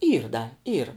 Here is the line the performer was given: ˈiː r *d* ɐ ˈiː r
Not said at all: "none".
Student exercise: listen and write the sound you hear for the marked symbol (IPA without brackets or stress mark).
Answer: d